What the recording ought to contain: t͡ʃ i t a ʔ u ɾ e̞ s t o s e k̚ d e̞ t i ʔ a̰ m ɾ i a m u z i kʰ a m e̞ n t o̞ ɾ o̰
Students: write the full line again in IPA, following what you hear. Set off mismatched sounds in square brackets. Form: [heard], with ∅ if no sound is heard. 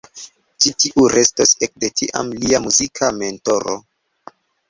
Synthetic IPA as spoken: t͡ʃ i t [i] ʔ u ɾ e̞ s t o s e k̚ d e̞ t i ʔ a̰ m [l] i a m u z i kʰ a m e̞ n t o̞ ɾ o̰